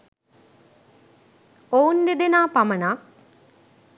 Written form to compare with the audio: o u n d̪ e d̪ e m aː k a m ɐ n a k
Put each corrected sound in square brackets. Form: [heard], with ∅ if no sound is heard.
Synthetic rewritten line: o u n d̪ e d̪ e [n] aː [p] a m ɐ n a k

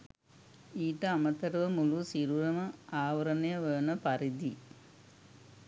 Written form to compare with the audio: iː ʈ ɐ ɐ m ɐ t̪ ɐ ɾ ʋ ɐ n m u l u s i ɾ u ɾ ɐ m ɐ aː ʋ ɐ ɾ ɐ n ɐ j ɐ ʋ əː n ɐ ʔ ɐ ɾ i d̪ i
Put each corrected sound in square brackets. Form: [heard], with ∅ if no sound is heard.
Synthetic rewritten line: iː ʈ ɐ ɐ m ɐ t̪ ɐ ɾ ʋ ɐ [∅] m u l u s i ɾ u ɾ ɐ m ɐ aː ʋ ɐ ɾ ɐ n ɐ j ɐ ʋ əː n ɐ [p] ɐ ɾ i d̪ i

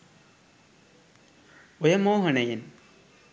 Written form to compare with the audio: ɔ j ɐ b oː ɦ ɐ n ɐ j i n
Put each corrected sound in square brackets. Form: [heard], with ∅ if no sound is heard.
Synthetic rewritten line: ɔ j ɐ [m] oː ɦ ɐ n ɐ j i n

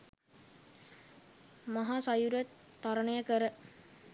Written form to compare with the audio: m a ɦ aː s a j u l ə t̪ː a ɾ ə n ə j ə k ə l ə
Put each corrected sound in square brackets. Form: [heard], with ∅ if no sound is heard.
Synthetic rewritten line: m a ɦ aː s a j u [ɾ] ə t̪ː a ɾ ə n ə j ə k ə [ɾ] ə

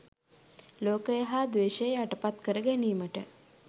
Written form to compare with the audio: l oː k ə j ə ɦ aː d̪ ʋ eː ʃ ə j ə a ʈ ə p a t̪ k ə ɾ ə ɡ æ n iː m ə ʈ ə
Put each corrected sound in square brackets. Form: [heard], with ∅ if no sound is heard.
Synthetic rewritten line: l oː k ə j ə ɦ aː d̪ ʋ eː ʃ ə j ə a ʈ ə p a t̪ k ə ɾ ə ɡ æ n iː m ə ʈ ə

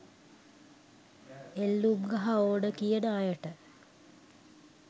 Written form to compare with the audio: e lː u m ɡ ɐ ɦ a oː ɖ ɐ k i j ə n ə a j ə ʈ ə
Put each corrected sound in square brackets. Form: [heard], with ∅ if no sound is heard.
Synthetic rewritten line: e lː u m ɡ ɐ ɦ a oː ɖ [ə] k i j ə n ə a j ə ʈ ə

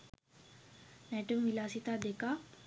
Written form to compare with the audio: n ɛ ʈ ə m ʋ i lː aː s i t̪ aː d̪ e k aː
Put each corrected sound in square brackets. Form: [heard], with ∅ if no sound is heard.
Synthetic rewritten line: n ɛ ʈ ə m ʋ i [l] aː s i t̪ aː d̪ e k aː

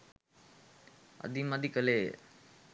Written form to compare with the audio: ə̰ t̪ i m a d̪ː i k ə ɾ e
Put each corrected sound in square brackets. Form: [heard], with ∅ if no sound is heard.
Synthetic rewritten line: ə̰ [d̪] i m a [d̪] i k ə [l] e

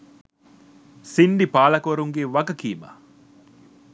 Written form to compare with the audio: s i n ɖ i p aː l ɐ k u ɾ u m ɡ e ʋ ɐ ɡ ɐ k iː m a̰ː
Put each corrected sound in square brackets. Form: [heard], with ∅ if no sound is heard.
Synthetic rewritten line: s i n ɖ i p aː l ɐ k [o] ɾ u [ŋ] ɡ e ʋ ɐ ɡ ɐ k iː m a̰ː

